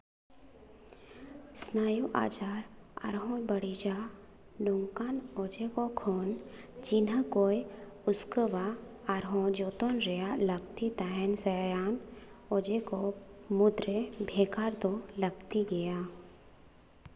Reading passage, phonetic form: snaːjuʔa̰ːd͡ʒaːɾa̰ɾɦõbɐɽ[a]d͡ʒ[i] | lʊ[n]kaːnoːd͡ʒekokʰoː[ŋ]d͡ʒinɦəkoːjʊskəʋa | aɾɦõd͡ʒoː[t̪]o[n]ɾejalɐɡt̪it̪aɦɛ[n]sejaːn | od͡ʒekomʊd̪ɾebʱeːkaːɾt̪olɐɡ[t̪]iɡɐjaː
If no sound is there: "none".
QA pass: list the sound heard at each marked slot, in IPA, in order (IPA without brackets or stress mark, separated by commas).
i, a, ŋ, n, t̪, n, n, t̪